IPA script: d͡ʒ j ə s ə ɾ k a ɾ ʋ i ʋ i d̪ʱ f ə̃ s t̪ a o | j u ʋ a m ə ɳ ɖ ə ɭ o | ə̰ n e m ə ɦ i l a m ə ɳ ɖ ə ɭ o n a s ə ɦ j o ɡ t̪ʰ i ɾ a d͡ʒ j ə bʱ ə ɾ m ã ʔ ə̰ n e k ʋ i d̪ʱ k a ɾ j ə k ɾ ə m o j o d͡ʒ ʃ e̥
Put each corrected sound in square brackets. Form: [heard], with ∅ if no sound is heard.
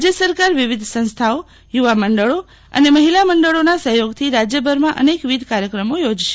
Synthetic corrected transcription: d͡ʒ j ə s ə ɾ k a ɾ ʋ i ʋ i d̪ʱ [s] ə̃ s [t̪ʰ] a o | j u ʋ a m ə ɳ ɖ ə ɭ o | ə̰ n e m ə ɦ i l a m ə ɳ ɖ ə ɭ o n a s ə ɦ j o ɡ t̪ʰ i ɾ a d͡ʒ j ə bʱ ə ɾ m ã ʔ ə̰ n e k ʋ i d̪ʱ k a ɾ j ə k ɾ ə m o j o d͡ʒ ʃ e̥